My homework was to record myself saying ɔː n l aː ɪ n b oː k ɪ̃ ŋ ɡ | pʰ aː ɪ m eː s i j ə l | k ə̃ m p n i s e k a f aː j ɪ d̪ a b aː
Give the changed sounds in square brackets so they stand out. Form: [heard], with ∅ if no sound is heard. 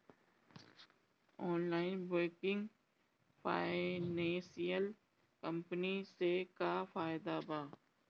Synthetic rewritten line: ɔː n l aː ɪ n b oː k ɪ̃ ŋ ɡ | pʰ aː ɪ [n] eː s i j ə l | k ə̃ m p n i s e k a f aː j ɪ d̪ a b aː